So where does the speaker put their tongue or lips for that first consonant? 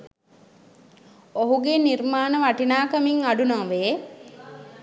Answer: throat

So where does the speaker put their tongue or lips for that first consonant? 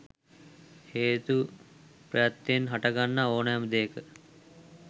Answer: throat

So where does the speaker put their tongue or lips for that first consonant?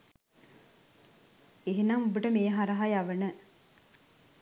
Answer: throat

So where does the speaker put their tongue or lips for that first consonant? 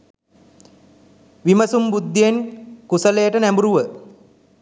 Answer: lips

